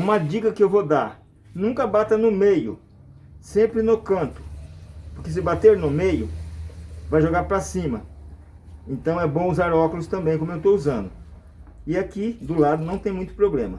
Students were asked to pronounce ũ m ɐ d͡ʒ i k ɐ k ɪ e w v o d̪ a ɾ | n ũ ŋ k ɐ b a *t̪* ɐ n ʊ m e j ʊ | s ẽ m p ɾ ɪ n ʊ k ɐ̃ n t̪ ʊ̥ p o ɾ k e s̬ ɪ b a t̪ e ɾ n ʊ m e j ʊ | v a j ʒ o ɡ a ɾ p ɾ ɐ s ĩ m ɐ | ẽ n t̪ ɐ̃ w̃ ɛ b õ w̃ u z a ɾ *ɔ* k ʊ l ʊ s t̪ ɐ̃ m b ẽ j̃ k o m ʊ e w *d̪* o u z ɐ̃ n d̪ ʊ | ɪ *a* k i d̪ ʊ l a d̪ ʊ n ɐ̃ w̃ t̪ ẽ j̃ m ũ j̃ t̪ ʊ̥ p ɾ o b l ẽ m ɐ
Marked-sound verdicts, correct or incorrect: correct, correct, incorrect: t̪, correct

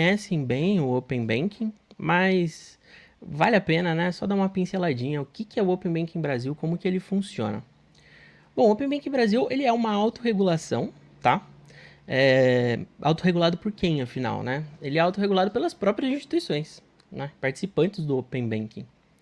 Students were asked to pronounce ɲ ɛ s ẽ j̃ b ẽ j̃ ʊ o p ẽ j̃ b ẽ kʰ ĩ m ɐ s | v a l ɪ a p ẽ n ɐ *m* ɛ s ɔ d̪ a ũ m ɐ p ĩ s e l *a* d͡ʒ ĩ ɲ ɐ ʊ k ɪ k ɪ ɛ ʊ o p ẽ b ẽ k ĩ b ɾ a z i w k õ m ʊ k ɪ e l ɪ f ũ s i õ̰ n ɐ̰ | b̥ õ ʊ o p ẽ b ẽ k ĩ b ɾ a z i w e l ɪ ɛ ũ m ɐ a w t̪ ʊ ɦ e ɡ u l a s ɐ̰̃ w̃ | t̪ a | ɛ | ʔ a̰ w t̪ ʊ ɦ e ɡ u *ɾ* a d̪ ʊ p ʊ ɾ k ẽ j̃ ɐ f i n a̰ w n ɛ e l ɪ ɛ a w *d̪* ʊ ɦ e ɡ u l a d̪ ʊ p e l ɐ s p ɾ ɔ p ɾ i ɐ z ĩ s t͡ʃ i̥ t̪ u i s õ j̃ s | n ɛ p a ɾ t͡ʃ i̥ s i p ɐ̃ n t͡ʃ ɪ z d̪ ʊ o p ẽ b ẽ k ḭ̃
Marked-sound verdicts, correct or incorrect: incorrect: n, correct, incorrect: l, incorrect: t̪

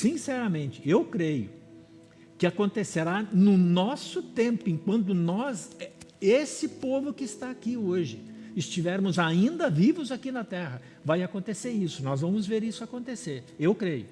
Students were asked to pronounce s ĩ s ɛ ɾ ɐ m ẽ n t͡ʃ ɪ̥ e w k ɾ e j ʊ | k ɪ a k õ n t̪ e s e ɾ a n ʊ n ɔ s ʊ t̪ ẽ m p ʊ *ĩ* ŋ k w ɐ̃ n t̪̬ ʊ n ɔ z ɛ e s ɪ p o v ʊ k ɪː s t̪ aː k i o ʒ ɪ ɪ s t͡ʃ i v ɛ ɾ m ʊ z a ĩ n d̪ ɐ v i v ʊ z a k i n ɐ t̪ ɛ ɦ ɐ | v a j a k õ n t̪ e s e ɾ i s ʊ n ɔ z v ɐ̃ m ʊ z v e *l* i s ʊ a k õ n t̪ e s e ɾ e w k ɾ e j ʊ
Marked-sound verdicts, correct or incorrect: incorrect: ẽ, incorrect: ɾ

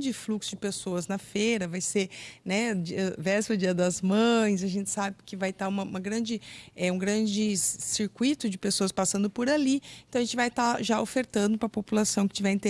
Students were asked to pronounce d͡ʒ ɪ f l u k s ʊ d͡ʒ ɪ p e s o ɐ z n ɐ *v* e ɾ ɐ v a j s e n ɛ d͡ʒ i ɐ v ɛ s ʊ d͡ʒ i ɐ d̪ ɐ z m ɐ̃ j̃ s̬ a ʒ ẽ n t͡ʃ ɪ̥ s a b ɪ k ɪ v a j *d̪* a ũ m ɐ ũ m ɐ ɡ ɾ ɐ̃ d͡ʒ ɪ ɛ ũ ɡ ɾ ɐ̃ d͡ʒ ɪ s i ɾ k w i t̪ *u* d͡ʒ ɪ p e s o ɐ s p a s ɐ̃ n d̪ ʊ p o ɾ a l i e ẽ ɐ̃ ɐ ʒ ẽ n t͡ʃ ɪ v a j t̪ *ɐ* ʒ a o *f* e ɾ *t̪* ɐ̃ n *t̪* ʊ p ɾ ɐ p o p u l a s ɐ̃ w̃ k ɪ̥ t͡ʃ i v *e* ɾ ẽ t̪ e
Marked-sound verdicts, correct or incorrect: incorrect: f, incorrect: t̪, incorrect: ʊ, incorrect: a, correct, correct, incorrect: d̪, incorrect: ɛ

